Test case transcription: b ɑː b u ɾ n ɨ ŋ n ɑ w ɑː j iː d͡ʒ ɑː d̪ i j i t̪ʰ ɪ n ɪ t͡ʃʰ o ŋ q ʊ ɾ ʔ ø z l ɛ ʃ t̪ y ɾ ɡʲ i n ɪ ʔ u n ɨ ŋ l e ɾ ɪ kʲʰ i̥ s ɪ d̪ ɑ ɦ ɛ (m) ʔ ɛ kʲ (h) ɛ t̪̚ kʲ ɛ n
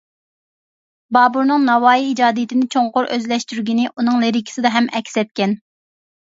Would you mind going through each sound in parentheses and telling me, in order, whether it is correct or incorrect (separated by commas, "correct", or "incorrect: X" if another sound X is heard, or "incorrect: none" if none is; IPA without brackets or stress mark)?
correct, incorrect: s